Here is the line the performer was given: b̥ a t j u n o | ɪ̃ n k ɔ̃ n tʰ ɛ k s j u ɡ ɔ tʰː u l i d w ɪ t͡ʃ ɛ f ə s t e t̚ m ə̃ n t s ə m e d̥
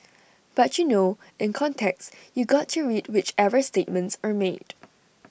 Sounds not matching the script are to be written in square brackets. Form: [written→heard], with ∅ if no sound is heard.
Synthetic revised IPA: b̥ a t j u n o | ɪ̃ n [k→kʰ] ɔ̃ n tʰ ɛ k s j u ɡ ɔ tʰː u [l→ɹ] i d w ɪ t͡ʃ ɛ [f→v] ə s t e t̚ m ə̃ n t s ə m e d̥